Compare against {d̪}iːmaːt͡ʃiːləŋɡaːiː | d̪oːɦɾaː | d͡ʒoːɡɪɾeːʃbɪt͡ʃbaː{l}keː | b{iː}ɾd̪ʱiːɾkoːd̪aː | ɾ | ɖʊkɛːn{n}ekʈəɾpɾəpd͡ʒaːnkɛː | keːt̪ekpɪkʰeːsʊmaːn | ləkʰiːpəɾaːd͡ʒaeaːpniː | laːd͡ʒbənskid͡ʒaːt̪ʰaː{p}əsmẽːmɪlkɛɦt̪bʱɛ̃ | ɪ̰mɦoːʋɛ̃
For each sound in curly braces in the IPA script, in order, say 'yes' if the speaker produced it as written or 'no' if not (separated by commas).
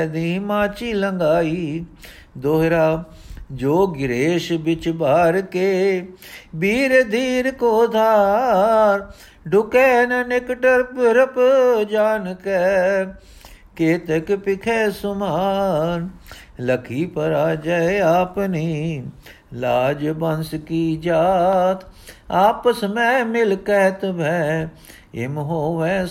yes, no, yes, yes, yes